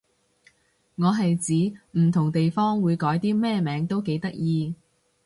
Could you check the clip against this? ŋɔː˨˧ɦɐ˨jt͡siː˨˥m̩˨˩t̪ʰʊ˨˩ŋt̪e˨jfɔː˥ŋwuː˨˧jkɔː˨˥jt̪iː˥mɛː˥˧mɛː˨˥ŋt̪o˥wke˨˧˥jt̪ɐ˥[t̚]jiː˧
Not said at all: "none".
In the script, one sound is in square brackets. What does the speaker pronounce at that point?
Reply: k̚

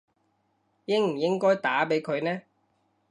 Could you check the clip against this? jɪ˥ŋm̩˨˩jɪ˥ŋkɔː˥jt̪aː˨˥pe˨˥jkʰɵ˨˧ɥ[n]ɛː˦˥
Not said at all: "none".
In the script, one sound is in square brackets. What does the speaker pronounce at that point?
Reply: n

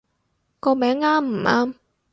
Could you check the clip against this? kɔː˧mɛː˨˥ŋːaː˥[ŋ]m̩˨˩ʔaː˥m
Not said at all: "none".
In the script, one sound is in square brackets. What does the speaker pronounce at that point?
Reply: m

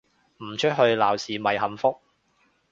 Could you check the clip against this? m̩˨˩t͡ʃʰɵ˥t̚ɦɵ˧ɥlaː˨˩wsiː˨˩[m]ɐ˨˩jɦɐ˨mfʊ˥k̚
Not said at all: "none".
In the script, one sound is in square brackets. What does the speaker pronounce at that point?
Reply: m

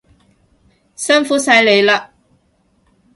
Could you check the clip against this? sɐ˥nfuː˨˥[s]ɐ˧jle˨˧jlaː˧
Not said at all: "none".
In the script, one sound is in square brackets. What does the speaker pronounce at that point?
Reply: s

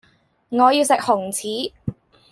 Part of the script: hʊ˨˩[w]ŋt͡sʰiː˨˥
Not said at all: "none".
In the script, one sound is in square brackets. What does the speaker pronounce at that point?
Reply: none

